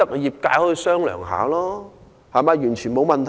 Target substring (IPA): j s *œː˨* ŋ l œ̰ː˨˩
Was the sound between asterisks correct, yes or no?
no